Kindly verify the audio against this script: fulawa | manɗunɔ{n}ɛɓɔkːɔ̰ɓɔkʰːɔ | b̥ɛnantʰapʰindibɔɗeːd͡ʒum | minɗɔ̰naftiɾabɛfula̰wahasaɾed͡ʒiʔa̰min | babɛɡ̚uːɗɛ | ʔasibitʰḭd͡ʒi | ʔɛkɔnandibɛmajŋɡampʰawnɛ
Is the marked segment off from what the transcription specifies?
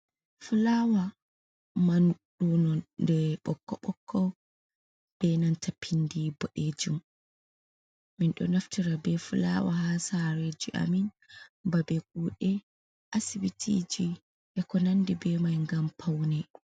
yes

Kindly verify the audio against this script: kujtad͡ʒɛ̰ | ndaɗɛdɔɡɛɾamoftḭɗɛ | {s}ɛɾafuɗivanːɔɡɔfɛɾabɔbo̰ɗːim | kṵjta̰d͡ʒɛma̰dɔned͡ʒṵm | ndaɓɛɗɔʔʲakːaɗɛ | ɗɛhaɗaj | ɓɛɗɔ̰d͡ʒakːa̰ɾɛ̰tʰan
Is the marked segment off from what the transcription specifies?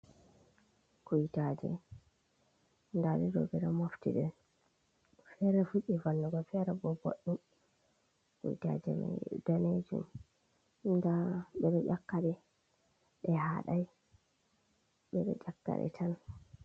yes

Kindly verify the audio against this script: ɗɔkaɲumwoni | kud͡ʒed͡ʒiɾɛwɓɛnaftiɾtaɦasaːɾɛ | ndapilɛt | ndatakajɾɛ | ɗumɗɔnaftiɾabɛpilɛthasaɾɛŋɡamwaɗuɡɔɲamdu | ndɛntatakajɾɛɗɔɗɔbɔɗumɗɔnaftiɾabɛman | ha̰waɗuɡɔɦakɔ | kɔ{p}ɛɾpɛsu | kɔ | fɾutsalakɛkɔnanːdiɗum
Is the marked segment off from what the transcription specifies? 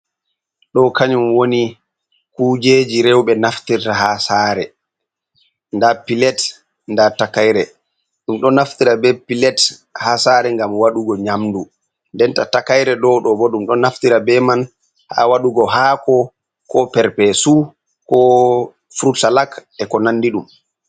no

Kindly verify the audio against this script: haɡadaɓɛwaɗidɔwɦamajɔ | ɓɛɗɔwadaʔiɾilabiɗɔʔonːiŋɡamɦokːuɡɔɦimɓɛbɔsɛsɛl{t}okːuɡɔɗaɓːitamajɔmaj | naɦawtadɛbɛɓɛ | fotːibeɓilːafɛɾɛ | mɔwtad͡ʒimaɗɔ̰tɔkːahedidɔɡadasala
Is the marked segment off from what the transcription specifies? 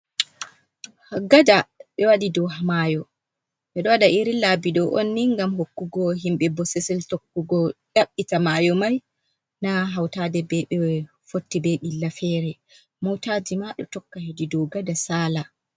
no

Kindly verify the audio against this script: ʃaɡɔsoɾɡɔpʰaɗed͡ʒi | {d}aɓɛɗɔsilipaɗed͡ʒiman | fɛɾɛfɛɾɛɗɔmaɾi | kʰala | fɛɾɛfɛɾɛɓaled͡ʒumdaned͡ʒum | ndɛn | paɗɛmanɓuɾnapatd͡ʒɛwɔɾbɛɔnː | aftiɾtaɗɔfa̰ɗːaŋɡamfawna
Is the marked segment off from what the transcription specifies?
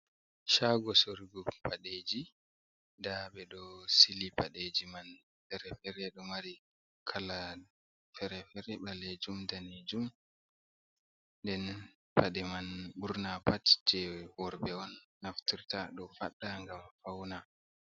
no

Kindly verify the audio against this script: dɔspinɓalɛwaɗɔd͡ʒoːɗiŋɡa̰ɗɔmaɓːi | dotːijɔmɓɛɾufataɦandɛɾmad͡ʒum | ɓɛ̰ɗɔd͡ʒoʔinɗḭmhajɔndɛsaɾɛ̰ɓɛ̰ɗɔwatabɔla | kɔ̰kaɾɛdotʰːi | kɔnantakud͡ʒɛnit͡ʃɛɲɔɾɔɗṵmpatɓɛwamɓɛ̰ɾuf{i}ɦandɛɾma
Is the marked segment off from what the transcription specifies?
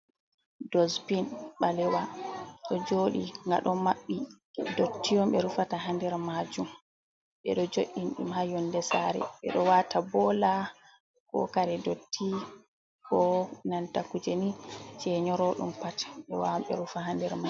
yes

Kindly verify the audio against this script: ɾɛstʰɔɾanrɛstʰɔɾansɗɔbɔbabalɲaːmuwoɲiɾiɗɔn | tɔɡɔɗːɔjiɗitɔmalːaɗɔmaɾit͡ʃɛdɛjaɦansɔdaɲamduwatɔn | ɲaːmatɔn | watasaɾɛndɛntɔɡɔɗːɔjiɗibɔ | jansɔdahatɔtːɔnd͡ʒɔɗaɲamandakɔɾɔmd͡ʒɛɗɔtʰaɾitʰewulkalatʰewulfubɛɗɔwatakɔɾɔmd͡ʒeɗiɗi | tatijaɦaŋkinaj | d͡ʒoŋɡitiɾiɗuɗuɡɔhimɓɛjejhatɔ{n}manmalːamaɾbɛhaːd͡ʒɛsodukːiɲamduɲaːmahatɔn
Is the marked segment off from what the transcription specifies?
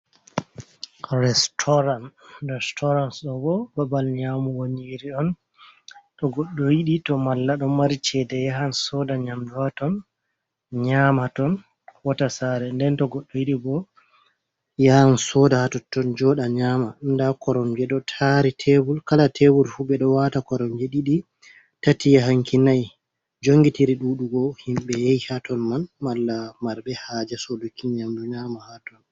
no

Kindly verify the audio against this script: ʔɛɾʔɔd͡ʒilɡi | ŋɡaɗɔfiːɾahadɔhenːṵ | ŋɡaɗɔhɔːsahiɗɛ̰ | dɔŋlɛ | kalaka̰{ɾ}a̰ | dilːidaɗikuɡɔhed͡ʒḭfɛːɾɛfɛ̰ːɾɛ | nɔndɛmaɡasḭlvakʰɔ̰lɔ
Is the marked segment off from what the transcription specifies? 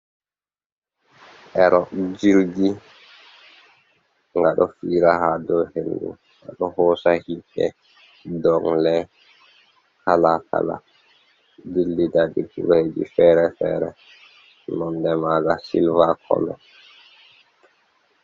yes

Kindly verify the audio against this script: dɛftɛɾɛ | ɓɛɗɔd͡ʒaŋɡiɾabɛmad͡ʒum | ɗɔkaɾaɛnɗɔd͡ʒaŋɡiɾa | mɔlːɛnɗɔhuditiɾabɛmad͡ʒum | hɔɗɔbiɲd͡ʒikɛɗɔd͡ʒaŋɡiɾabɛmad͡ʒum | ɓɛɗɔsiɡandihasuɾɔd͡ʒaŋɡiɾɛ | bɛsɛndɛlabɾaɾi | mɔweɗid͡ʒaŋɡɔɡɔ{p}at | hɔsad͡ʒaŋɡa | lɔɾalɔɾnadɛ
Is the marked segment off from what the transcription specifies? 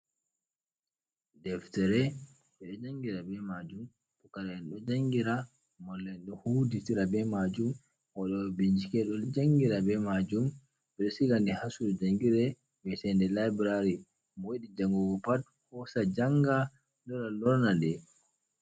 no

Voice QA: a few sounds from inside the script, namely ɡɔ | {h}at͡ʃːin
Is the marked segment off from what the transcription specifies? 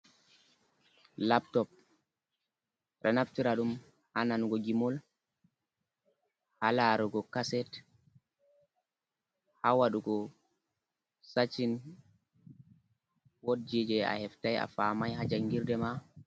yes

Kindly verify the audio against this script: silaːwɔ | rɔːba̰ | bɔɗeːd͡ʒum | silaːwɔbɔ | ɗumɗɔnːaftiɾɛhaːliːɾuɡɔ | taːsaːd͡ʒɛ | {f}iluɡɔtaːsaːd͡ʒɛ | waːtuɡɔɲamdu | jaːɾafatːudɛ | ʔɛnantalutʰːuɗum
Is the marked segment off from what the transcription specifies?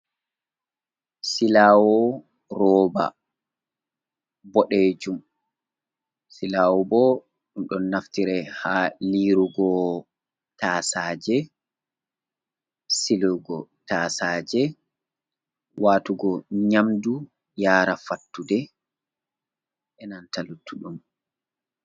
yes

